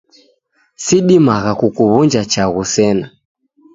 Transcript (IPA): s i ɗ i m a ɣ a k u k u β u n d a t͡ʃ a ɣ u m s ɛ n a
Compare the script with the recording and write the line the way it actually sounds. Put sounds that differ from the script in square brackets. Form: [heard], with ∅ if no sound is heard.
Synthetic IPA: s i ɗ i m a ɣ a k u k u β u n [d͡ʒ] a t͡ʃ a ɣ u [∅] s ɛ n a